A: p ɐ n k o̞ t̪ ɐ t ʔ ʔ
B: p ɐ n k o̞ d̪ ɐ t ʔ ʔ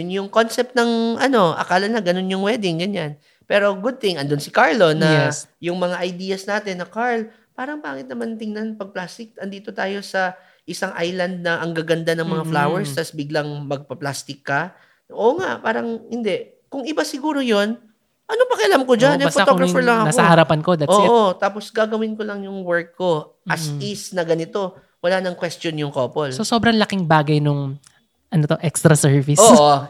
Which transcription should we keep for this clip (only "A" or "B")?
B